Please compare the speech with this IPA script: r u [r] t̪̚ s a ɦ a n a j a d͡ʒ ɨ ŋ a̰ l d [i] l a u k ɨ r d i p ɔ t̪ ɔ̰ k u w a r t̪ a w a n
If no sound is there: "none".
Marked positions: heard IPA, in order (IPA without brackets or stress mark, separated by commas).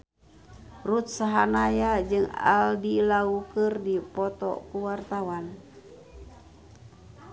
none, i